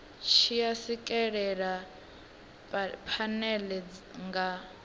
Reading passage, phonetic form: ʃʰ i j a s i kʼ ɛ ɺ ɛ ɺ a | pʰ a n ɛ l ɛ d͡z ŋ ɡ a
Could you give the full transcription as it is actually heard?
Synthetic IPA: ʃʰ i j a s i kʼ ɛ ɺ ɛ ɺ a | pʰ a n ɛ l ɛ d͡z ŋ ɡ a